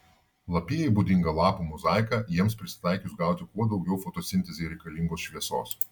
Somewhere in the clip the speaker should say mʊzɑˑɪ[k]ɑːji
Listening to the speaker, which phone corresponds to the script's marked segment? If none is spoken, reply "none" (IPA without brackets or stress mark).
k